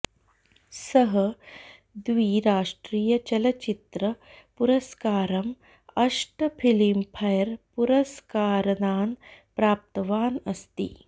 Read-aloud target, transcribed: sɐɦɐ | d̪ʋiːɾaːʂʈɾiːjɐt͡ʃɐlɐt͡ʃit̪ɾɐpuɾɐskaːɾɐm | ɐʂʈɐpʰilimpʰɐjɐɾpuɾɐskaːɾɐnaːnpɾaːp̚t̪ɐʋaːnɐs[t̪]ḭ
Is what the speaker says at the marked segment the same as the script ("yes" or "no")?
yes